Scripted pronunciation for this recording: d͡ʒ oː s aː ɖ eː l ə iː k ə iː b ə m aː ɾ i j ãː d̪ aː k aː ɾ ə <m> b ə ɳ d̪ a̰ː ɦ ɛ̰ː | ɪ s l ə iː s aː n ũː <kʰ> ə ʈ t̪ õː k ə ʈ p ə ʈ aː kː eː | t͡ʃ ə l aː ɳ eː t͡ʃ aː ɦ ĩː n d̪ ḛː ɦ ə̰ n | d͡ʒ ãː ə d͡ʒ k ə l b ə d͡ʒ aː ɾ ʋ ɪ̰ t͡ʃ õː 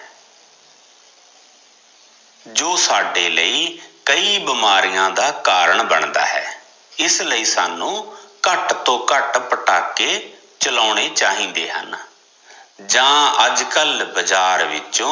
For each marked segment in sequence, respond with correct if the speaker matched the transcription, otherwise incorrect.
incorrect: ɳ, incorrect: k

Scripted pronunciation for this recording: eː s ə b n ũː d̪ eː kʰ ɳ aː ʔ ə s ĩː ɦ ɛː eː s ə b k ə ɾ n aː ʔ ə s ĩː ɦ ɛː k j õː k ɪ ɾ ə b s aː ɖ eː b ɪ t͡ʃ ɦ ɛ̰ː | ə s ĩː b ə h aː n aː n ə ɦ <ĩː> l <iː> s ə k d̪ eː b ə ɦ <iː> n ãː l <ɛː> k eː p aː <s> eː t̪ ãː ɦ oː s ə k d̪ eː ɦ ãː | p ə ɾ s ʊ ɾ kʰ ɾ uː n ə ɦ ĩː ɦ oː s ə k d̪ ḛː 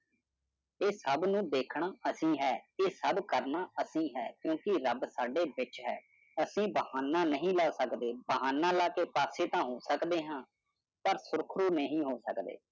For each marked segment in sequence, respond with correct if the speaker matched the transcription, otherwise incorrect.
correct, incorrect: aː, incorrect: aː, incorrect: aː, correct

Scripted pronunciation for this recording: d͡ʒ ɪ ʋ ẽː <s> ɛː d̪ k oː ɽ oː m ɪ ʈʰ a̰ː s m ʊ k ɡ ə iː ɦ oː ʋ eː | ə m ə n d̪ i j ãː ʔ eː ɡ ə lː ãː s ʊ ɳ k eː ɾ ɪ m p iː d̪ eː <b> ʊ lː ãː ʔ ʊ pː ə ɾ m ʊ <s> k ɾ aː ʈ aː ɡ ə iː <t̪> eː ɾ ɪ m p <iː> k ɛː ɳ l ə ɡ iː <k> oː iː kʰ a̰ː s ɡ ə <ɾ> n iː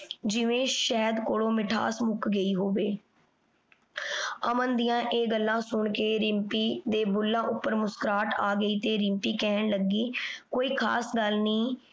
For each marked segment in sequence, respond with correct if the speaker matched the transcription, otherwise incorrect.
incorrect: ʃ, correct, correct, correct, correct, correct, incorrect: l

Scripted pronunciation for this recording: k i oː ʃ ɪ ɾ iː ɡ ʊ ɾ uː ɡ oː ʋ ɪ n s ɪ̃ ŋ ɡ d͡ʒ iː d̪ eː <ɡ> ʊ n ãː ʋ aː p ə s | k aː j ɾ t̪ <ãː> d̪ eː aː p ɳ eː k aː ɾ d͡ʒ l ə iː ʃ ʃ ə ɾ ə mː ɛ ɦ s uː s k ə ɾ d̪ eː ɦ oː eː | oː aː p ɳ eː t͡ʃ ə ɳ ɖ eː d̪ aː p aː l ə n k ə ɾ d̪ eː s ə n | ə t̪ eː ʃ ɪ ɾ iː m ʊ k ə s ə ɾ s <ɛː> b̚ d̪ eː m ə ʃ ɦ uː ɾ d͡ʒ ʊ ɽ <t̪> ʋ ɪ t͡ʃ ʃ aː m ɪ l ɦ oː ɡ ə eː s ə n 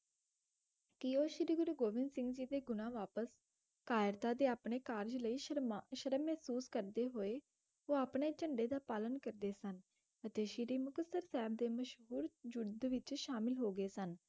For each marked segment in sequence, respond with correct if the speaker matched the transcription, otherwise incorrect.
correct, incorrect: aː, correct, incorrect: d̪

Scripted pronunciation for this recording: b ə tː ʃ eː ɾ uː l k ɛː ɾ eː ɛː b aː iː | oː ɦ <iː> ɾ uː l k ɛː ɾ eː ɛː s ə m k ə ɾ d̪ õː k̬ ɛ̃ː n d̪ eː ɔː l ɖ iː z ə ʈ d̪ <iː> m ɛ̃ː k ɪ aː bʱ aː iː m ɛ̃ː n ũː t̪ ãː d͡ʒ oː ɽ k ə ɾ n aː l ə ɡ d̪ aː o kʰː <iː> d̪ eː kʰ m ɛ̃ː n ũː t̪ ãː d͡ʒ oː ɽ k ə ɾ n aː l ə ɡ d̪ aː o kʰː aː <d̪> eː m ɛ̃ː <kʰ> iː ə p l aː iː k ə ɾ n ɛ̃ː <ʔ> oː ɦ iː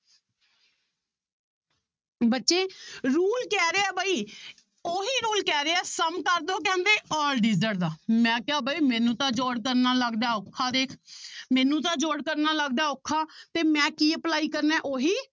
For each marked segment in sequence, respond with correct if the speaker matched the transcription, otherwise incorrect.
correct, incorrect: aː, incorrect: aː, incorrect: t̪, incorrect: k, correct

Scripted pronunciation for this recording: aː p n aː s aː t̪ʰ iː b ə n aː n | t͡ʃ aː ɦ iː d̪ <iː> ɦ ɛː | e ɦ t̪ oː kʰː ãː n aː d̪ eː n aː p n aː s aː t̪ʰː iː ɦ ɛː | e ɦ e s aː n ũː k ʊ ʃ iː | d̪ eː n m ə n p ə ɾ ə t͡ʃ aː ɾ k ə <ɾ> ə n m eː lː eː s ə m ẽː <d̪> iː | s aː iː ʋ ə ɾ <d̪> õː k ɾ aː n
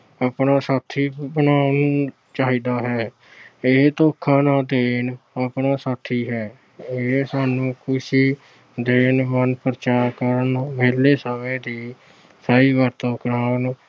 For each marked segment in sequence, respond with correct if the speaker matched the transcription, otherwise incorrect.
incorrect: aː, correct, correct, incorrect: t̪

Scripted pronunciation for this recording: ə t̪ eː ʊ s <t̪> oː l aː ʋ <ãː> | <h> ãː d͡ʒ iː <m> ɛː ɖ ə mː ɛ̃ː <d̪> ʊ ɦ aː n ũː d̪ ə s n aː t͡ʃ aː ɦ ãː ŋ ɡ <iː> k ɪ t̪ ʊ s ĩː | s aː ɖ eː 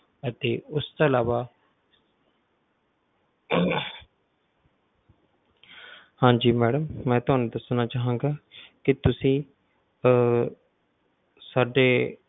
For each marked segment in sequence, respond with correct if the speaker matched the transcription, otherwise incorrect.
correct, incorrect: aː, correct, correct, incorrect: t̪, incorrect: aː

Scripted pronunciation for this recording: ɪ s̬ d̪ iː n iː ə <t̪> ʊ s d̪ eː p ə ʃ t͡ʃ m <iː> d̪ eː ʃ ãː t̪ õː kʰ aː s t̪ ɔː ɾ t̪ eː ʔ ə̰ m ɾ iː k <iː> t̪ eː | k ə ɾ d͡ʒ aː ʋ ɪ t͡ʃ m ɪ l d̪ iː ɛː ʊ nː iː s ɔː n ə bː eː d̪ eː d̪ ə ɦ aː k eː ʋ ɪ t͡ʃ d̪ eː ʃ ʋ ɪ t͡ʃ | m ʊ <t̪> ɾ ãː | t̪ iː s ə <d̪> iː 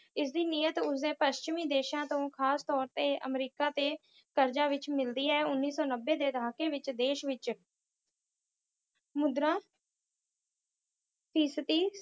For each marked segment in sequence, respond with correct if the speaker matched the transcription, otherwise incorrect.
correct, correct, incorrect: aː, incorrect: d̪, incorrect: t̪

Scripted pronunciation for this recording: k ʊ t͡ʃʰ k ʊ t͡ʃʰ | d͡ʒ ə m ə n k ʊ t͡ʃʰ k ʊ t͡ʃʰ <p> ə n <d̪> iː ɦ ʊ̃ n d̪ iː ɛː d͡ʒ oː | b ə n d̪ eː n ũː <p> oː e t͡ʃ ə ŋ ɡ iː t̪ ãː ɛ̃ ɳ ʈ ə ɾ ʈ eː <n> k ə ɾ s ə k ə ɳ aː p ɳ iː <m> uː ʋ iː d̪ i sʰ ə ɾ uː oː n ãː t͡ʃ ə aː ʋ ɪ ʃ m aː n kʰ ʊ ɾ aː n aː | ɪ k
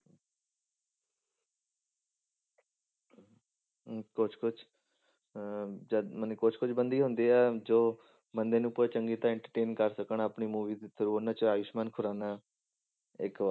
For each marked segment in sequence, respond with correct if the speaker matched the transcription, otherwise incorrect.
incorrect: b, correct, correct, correct, correct

